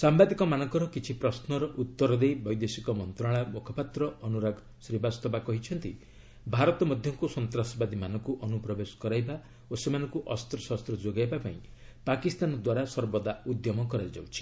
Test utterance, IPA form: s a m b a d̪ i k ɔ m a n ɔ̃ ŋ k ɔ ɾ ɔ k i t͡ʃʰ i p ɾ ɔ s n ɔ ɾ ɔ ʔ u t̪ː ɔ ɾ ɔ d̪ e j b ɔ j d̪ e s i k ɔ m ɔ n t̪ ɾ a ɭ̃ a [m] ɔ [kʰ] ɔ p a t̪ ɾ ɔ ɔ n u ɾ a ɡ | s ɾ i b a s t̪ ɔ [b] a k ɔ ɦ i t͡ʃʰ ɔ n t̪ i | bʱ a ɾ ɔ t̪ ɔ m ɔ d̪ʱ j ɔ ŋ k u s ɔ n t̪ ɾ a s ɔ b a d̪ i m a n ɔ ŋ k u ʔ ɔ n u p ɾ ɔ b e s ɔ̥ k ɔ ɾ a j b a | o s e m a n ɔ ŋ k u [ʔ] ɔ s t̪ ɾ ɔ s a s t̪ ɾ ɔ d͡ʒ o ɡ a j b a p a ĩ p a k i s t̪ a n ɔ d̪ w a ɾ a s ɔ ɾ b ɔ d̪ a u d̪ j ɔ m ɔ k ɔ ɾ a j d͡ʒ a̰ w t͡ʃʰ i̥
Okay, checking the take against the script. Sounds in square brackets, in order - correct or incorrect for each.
correct, correct, correct, correct

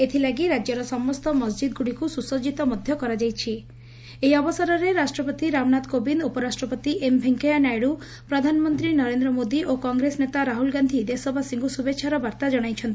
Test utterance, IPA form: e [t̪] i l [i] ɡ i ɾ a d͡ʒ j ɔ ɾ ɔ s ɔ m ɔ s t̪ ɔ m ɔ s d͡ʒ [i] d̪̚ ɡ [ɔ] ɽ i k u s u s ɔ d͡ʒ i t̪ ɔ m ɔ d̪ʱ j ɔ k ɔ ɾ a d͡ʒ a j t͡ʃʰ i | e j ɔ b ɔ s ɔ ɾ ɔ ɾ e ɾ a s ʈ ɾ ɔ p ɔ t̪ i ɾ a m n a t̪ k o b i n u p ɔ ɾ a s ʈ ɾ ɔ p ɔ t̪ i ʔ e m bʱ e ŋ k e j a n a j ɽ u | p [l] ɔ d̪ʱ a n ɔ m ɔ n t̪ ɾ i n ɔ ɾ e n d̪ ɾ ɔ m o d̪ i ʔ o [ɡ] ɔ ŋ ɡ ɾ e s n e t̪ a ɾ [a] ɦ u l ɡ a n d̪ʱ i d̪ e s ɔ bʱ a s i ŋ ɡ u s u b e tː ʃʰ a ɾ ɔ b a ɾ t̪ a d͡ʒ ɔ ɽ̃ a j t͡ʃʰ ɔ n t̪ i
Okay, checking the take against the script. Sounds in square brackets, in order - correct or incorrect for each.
incorrect: t̪ʰ, incorrect: a, correct, incorrect: u, incorrect: ɾ, incorrect: k, correct

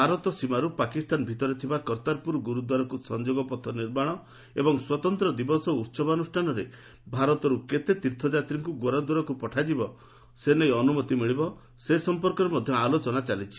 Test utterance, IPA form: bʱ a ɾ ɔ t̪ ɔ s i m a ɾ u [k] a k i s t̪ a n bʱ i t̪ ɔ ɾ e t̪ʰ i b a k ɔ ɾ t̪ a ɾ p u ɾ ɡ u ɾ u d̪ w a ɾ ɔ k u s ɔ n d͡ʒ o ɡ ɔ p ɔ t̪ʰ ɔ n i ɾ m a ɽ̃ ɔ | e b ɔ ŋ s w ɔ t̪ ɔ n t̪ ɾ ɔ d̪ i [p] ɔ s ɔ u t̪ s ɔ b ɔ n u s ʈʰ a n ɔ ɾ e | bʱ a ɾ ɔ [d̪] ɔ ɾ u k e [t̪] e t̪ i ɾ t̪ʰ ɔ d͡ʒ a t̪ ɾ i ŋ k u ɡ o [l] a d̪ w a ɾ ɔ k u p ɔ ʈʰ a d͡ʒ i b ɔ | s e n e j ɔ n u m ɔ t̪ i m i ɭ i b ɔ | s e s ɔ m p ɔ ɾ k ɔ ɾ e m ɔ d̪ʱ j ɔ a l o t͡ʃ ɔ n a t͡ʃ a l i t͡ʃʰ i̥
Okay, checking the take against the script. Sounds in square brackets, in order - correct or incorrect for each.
incorrect: p, incorrect: b, incorrect: t̪, correct, incorrect: ɾ

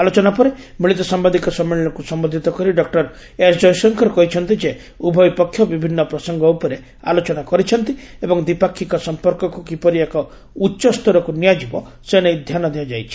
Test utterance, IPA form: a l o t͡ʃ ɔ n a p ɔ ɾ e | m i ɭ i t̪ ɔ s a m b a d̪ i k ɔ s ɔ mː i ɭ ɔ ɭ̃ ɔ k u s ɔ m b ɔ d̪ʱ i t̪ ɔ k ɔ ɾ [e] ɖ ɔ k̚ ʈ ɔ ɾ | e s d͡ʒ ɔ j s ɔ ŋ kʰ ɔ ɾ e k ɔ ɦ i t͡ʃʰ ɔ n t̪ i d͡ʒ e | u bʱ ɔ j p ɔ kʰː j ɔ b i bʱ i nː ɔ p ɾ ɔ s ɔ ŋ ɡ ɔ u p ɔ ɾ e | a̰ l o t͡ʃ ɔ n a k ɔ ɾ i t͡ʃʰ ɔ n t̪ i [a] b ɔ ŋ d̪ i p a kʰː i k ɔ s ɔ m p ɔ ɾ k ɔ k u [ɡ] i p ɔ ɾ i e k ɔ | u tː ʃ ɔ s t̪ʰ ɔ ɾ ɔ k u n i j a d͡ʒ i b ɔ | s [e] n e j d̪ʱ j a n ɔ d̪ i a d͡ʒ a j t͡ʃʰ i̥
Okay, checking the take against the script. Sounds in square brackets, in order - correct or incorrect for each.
incorrect: i, incorrect: e, incorrect: k, correct

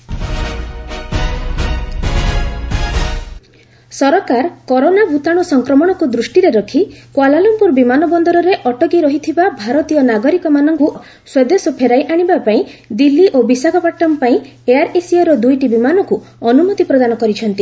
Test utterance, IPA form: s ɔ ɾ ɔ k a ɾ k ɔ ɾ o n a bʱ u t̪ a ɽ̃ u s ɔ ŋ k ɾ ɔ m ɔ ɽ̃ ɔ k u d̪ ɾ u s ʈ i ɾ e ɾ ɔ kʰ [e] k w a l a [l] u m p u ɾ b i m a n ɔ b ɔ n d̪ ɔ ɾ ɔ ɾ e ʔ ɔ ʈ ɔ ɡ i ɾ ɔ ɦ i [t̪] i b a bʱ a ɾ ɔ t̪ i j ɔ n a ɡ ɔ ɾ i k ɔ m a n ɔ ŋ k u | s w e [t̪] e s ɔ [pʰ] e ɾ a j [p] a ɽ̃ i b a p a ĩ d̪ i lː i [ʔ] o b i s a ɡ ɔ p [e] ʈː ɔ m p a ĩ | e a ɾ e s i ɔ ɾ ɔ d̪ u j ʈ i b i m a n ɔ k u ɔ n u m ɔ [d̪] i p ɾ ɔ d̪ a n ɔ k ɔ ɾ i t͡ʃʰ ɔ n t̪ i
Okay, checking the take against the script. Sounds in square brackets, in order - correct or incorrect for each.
incorrect: i, correct, incorrect: t̪ʰ, incorrect: d̪, correct, incorrect: ʔ, correct, incorrect: a, incorrect: t̪

